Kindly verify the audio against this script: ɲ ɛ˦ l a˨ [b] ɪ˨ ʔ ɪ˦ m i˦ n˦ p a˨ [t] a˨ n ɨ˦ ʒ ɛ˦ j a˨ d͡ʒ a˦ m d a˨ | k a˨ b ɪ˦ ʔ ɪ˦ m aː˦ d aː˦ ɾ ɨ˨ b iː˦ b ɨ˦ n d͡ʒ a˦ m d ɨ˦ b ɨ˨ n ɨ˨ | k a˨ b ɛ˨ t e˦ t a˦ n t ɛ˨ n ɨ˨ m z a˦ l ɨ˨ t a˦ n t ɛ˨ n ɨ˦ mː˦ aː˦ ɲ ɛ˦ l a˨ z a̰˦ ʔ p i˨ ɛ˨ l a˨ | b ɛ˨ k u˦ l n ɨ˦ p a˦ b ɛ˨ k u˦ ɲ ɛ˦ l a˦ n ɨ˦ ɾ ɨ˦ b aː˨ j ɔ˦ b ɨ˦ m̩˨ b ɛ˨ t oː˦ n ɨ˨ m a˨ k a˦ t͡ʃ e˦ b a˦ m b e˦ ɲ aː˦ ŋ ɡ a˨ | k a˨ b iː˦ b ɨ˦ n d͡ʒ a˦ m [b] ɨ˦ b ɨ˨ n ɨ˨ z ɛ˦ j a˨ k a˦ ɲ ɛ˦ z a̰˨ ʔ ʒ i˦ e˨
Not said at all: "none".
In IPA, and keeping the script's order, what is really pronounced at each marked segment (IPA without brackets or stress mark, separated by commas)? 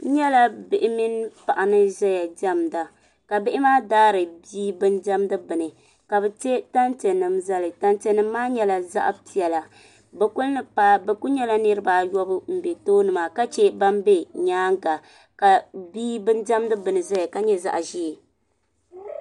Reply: b, ʔ, d